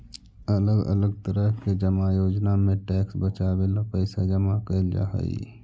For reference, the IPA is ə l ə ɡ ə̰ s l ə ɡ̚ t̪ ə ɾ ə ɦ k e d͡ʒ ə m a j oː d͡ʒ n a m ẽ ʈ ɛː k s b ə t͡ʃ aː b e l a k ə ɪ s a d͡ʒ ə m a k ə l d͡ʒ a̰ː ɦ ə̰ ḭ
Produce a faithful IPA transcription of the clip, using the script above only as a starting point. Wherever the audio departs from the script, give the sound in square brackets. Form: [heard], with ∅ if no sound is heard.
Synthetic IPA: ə l ə ɡ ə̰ [∅] l ə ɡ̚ t̪ ə ɾ ə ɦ k e d͡ʒ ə m a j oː d͡ʒ n a m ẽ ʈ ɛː k s b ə t͡ʃ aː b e l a [p] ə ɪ s a d͡ʒ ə m a k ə l d͡ʒ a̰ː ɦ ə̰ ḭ